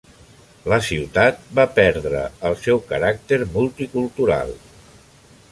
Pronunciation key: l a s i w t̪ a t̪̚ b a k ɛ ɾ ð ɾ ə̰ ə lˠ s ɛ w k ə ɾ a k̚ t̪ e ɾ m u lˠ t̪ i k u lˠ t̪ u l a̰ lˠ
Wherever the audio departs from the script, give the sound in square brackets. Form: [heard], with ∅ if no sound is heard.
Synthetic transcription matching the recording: l [ə] s i w t̪ a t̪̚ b a [p] ɛ ɾ ð ɾ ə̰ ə lˠ s ɛ w k ə ɾ a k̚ t̪ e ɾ m u lˠ t̪ i k u lˠ t̪ u [ɾ] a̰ lˠ